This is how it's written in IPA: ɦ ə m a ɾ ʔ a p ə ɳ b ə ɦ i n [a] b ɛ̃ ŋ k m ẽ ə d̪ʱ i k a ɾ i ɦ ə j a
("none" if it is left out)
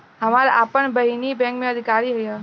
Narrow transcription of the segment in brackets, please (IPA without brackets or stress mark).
i